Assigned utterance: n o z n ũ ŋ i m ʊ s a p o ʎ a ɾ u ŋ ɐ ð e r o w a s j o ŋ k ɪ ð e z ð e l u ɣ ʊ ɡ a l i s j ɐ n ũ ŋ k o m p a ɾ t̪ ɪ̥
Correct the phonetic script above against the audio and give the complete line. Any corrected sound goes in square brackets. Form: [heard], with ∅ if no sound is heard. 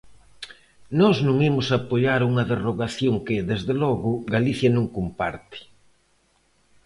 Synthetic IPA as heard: n [ɔ] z n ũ ŋ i m ʊ s a p o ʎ a ɾ u ŋ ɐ ð e r o [ɣ] a [θ] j o ŋ k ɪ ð e z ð e l [ɔ] ɣ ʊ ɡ a l i [θ] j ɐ n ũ ŋ k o m p a ɾ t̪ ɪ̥